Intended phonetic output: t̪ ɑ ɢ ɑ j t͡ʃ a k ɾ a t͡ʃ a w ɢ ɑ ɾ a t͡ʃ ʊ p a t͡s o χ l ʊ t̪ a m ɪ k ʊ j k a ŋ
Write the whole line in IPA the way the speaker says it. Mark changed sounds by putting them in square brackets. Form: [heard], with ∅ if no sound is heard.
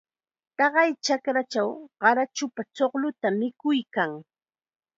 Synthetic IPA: t̪ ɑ ɢ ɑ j t͡ʃ a k ɾ a t͡ʃ a w ɢ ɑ ɾ a t͡ʃ ʊ p a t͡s o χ l ʊ t̪ a m ɪ k ʊ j k a ŋ